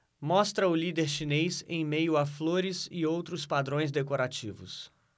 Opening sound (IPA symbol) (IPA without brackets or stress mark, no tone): m